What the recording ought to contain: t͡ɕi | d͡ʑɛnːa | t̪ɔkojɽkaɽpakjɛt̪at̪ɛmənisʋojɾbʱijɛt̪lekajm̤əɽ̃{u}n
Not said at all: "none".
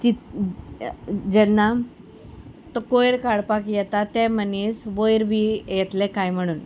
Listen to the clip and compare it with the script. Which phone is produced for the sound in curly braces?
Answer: uː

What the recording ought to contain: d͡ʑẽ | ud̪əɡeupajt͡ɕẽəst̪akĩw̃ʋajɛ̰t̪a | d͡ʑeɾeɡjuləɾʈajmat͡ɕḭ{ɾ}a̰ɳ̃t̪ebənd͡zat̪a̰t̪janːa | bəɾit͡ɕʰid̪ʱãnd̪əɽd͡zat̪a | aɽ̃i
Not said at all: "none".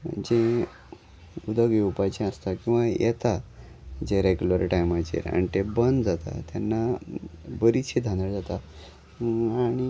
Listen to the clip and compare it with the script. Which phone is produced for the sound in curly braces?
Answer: ɾ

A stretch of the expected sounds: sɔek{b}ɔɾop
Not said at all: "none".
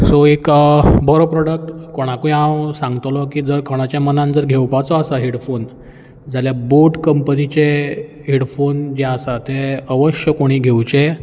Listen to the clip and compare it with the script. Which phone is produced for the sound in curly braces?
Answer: b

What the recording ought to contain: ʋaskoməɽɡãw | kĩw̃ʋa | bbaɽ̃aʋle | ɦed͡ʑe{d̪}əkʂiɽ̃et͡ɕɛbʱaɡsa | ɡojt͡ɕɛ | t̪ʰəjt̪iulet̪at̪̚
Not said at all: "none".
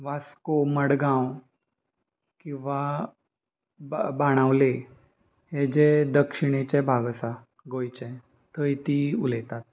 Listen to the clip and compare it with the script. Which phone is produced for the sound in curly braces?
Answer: d̪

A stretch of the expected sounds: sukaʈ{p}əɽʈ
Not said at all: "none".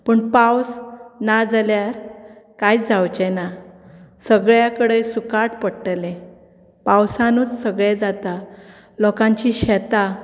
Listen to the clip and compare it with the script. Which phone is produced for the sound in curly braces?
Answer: p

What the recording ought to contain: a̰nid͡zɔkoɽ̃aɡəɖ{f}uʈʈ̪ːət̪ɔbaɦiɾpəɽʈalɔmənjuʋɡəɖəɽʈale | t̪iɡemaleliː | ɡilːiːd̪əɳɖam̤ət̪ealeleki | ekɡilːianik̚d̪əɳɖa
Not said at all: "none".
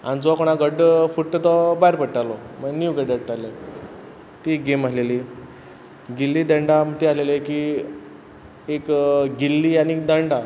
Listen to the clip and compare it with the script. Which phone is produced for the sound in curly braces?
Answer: f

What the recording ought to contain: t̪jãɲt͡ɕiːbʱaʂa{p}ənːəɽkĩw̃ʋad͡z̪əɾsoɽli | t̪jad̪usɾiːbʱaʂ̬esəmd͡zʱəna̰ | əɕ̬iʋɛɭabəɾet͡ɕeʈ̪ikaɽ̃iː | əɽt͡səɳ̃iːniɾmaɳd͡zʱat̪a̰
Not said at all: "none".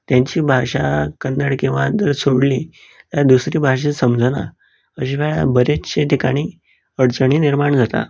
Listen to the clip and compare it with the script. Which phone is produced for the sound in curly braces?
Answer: k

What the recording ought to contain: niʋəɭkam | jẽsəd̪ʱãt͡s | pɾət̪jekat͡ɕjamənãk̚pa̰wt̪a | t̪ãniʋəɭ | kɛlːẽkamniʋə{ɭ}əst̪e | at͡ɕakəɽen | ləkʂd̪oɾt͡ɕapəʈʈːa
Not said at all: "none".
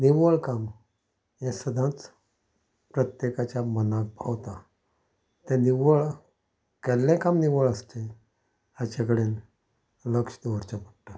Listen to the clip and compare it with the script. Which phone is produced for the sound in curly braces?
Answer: ɭ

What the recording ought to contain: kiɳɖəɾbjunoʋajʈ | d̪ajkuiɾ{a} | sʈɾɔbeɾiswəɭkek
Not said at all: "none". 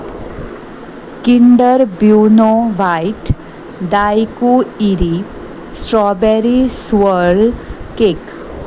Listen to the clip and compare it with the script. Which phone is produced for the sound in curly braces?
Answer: i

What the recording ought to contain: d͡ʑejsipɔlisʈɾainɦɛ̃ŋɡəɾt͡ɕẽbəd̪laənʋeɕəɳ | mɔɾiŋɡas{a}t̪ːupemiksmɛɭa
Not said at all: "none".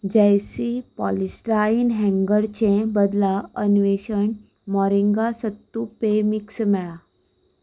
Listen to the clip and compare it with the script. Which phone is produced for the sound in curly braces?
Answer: ə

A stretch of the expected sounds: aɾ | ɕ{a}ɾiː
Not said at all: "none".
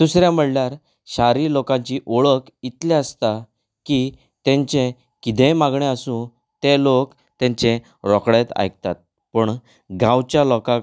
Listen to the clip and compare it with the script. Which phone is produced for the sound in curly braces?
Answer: a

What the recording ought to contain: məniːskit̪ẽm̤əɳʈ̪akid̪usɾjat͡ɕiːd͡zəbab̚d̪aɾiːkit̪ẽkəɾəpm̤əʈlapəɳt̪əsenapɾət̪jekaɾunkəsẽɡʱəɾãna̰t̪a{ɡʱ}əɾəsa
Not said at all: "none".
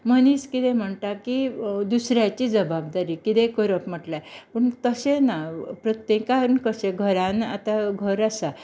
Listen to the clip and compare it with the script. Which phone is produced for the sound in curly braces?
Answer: ɡʱ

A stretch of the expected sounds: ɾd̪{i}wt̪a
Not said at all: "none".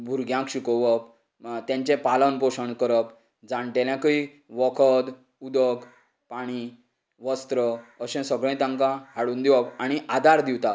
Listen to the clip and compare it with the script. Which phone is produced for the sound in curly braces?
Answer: i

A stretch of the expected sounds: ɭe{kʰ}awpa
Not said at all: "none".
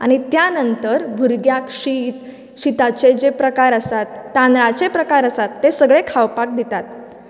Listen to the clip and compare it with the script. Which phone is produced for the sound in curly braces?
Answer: kʰ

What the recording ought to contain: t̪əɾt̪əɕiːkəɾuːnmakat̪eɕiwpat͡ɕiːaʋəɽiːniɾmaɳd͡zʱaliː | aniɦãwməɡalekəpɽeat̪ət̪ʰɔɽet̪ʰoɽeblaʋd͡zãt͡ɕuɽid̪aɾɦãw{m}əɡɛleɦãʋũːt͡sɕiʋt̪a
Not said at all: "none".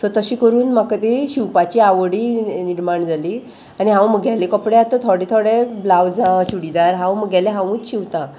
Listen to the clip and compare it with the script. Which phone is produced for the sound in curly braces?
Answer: m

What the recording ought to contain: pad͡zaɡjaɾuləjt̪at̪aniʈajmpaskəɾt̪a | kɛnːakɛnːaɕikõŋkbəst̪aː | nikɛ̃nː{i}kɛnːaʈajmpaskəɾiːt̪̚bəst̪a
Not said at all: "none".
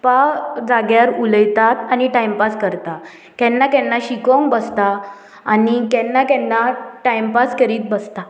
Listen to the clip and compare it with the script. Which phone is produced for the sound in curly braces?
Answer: a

